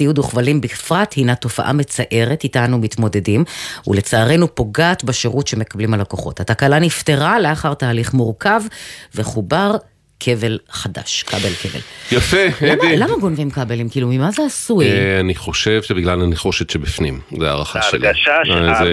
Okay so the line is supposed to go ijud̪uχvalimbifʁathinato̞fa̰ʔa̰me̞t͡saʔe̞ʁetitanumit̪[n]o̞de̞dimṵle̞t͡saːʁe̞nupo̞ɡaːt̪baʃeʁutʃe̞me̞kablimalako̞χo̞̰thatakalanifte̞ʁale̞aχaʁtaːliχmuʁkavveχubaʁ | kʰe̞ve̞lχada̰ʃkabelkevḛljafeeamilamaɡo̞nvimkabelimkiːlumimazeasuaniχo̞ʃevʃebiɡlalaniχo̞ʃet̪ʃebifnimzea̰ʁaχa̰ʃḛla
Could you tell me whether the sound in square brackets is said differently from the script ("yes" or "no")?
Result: yes